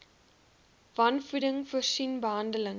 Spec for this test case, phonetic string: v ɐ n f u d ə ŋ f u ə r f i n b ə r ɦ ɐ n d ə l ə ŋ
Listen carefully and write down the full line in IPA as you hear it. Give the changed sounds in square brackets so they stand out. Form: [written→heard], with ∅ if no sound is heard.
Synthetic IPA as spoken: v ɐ n f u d ə ŋ f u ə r [f→s] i n b ə [r→∅] ɦ ɐ n d ə l ə ŋ